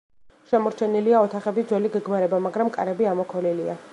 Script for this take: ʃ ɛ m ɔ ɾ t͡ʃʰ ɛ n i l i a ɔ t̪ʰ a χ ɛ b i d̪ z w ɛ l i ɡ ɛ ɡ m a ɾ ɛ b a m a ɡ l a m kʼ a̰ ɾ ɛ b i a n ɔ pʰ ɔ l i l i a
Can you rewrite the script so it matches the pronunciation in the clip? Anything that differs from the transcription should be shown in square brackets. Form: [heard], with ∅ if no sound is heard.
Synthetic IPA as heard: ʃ ɛ m ɔ ɾ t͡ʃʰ ɛ n i l i a ɔ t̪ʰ a χ ɛ b i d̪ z w ɛ l i ɡ ɛ ɡ m a ɾ ɛ b a m a ɡ [ɾ] a m kʼ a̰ ɾ ɛ b i a [m] ɔ [kʰ] ɔ l i l i a